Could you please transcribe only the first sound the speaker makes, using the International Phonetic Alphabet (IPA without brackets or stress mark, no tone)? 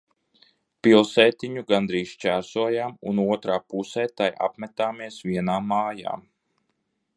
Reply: p